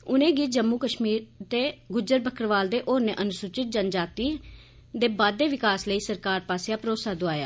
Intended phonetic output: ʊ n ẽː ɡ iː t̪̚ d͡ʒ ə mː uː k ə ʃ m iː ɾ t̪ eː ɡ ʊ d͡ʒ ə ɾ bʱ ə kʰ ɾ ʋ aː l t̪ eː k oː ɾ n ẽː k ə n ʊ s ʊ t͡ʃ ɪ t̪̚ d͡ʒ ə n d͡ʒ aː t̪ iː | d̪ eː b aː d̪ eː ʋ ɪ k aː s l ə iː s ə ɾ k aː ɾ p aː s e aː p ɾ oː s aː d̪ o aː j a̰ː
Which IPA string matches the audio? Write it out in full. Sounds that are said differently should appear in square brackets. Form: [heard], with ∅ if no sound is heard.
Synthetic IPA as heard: ʊ n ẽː ɡ iː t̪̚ d͡ʒ ə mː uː k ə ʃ m iː ɾ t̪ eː ɡ ʊ d͡ʒ ə ɾ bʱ ə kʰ ɾ ʋ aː l [d̪] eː [ʔ] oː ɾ n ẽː [ʔ] ə n ʊ s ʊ t͡ʃ ɪ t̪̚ d͡ʒ ə n d͡ʒ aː t̪ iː | d̪ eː b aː d̪ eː ʋ ɪ k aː s l ə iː s ə ɾ k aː ɾ p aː s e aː p ɾ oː s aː d̪ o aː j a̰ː